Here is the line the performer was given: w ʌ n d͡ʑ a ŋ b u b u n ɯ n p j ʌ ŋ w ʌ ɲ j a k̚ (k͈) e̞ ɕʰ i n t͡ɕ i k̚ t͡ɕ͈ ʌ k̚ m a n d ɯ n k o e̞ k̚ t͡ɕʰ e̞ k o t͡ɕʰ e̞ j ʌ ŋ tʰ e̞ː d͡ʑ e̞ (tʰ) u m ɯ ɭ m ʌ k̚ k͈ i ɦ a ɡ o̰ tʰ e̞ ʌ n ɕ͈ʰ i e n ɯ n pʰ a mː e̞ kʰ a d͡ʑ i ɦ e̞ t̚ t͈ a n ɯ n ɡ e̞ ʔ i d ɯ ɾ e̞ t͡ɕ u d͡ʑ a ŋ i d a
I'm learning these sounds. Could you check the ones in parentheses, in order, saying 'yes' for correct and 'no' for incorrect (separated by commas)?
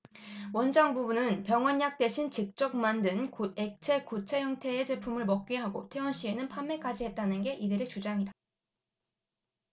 no, no